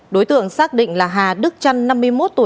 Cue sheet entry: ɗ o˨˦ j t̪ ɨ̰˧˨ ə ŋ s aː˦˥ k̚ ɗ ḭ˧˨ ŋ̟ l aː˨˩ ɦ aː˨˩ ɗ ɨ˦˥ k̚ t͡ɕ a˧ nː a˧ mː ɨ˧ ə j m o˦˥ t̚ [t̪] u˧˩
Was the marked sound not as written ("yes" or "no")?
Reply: no